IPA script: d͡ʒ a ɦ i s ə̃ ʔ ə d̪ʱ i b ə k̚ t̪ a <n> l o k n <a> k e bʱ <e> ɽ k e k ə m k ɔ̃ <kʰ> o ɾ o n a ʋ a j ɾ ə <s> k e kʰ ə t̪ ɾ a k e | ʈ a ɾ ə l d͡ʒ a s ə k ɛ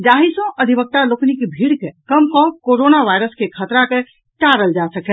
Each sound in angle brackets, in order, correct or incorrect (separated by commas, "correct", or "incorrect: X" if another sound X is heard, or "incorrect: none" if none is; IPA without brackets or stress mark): incorrect: none, incorrect: i, incorrect: i, incorrect: k, correct